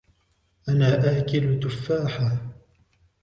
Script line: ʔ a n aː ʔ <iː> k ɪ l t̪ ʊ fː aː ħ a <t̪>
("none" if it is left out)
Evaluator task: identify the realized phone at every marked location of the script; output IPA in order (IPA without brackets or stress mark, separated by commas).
aː, none